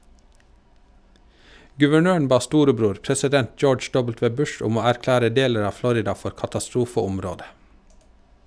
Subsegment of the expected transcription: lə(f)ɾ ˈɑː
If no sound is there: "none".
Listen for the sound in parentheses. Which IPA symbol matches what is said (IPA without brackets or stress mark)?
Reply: none